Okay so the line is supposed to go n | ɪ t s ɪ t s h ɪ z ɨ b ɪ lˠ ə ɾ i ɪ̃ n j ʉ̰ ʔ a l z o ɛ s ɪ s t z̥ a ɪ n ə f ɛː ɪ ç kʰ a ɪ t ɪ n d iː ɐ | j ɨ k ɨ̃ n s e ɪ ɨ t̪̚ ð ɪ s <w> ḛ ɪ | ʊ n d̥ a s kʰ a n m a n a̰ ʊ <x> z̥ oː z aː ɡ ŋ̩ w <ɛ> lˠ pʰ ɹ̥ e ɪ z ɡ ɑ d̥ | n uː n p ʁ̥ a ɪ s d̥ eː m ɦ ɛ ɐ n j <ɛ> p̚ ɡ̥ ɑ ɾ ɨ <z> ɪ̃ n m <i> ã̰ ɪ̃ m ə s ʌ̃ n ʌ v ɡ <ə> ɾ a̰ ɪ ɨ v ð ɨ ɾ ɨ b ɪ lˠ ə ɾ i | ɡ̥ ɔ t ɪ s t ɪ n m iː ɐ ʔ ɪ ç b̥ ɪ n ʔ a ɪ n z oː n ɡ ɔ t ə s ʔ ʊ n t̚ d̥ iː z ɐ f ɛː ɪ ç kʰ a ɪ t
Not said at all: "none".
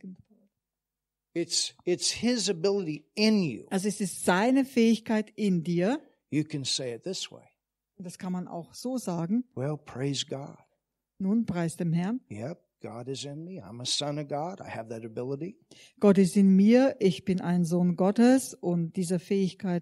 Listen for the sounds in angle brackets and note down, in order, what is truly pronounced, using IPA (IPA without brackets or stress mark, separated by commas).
w, x, ɛ, ɛ, z, i, ɑ